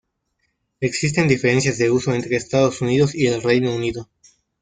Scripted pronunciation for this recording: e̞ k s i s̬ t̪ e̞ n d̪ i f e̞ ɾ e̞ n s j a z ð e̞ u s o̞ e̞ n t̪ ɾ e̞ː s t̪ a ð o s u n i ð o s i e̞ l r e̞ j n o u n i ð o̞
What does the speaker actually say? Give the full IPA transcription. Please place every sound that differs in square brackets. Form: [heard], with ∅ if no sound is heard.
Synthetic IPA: e̞ k s i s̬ t̪ e̞ n d̪ i f e̞ ɾ e̞ n s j a z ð e̞ u s o̞ e̞ n t̪ ɾ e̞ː s t̪ a ð o s u n i ð o s i e̞ l r e̞ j n o u n i ð o̞

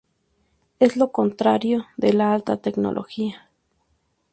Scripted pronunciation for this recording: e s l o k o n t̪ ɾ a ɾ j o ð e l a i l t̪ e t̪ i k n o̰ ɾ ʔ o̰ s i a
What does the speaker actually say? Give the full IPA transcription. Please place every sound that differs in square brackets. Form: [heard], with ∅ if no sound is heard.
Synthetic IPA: e s l o k o n t̪ ɾ a ɾ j o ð e l a [a] l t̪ [a] t̪ [e] k n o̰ [l] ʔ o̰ [x] i a

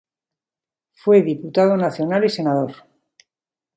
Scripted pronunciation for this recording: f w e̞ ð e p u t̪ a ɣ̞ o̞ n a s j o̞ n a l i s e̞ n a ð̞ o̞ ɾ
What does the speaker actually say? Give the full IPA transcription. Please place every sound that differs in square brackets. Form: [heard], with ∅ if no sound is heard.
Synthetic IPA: f w e̞ ð [i] p u t̪ a [ð̞] o̞ n a [θ] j o̞ n a l i s e̞ n a ð̞ o̞ ɾ

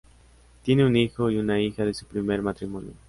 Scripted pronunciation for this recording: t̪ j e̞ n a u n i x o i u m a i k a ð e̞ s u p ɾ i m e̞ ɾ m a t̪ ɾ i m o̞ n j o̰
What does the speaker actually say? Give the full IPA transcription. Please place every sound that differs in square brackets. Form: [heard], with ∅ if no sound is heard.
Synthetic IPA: t̪ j e̞ n [e] u n i x o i u [n] a i [x] a ð e̞ s u p ɾ i m e̞ ɾ m a t̪ ɾ i m o̞ n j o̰

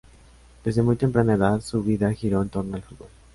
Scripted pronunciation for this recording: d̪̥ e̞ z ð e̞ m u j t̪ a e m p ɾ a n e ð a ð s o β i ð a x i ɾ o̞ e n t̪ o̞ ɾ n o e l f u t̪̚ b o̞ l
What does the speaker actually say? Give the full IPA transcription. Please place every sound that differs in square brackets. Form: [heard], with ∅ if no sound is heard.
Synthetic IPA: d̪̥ e̞ z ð e̞ m u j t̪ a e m p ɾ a n e ð a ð s [u] β i ð a x i ɾ o̞ e n t̪ o̞ ɾ n o [a] l f u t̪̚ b o̞ l

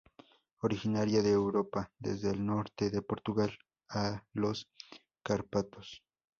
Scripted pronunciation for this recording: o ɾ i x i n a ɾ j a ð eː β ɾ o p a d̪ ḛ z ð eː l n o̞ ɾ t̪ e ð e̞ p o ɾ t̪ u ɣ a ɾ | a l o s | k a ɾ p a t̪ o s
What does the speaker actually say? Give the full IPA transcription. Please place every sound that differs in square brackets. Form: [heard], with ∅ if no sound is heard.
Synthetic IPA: o ɾ i x i n a ɾ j a ð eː [w] ɾ o p a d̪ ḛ z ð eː l n o̞ ɾ t̪ e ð e̞ p o ɾ t̪ u ɣ a [l] | a l o s | k a ɾ p a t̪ o s

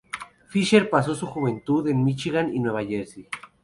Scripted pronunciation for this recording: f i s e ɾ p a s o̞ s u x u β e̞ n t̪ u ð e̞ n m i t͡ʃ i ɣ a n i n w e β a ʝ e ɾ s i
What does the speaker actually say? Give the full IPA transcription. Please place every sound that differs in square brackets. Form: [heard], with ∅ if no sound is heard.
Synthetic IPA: f i [ʃ] e ɾ p a s o̞ s u x u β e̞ n t̪ u ð e̞ n m i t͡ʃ i ɣ a n i n w e β a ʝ e ɾ s i

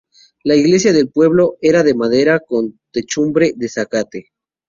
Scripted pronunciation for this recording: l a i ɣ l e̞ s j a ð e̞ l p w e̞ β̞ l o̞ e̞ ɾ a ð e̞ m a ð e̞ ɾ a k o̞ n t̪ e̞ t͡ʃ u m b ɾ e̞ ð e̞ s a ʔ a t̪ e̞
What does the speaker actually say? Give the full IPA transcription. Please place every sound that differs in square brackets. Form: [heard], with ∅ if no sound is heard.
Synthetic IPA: l a i ɣ l e̞ s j a ð e̞ l p w e̞ β̞ l o̞ e̞ ɾ a ð e̞ m a ð e̞ ɾ a k o̞ n t̪ e̞ t͡ʃ u m b ɾ e̞ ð e̞ s a [k] a t̪ e̞

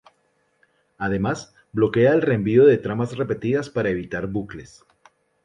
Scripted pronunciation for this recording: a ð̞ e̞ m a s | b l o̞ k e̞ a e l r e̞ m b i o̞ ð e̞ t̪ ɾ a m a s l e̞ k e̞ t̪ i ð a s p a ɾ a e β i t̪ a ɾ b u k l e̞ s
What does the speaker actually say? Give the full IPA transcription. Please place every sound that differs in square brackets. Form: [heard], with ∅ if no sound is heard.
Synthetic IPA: a ð̞ e̞ m a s | b l o̞ k e̞ a e l r e̞ m b i o̞ ð e̞ t̪ ɾ a m a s [r] e̞ [p] e̞ t̪ i ð a s p a ɾ a e β i t̪ a ɾ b u k l e̞ s

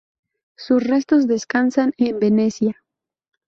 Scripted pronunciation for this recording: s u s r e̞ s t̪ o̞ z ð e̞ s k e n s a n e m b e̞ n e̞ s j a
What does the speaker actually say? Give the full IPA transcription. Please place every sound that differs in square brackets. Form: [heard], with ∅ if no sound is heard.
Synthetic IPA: s u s r e̞ s t̪ o̞ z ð e̞ s k [a] n s a n e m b e̞ n e̞ s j a

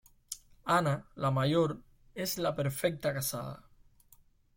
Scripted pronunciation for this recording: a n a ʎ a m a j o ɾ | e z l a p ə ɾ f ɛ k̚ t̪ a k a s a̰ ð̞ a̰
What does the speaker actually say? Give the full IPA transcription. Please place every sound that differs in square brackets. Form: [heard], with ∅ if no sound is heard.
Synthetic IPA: a n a [l] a m a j o ɾ | e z l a p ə ɾ f ɛ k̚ t̪ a k a s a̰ ð̞ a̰

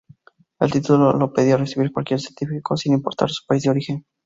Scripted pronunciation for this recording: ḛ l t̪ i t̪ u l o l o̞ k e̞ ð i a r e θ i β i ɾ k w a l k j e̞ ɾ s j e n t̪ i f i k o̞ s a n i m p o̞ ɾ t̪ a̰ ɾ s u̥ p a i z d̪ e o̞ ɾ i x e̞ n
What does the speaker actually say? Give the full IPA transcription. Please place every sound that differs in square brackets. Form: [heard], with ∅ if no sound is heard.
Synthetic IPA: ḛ l t̪ i t̪ u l o l o̞ [p] e̞ ð i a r e [s] i β i ɾ k w a l k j e̞ ɾ s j e n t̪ i f i k o̞ s [i] n i m p o̞ ɾ t̪ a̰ ɾ s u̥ p a i z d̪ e o̞ ɾ i x e̞ n

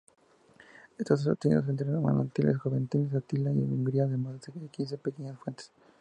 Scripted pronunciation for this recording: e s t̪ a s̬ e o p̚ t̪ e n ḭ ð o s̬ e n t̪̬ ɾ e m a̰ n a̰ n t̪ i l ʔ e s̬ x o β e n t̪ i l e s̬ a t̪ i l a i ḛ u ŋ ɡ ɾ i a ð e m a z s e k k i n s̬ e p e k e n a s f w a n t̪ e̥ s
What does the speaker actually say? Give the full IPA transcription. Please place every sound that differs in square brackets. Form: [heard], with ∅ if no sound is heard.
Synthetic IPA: e s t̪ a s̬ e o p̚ t̪ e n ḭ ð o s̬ e n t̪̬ ɾ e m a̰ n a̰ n t̪ i l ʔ e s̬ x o β e n t̪ i l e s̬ a t̪ i l a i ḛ u ŋ ɡ ɾ i a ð e m a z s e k k i n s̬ e p e k e [ɲ] a s f w [e] n t̪ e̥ s

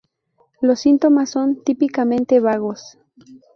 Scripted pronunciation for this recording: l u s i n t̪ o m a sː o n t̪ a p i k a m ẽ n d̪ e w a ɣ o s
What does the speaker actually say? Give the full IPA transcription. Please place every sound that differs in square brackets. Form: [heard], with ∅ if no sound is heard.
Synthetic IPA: l [o] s i n t̪ o m a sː o n t̪ [i] p i k a m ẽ n [t̪] e [β] a ɣ o s

